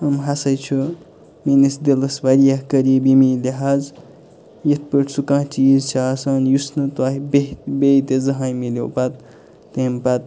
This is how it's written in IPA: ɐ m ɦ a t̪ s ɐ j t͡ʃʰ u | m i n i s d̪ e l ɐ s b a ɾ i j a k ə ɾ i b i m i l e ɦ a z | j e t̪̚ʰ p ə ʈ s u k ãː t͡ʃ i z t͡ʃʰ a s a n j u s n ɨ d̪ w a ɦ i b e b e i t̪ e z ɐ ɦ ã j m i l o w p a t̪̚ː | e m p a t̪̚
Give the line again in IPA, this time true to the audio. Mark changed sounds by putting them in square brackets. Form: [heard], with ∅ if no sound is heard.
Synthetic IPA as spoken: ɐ m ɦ a [∅] s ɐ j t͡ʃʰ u | m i n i s d̪ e l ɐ s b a ɾ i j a k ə ɾ i b i m i l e ɦ a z | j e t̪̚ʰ p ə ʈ s u k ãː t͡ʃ i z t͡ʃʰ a s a n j u s n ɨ [t̪] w a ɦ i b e b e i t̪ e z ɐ ɦ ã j m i l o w p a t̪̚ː | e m p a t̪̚